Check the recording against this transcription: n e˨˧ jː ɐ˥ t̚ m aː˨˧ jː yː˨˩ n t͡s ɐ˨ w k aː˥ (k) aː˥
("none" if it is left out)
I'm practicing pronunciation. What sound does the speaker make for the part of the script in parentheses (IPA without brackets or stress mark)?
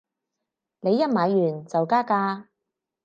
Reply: k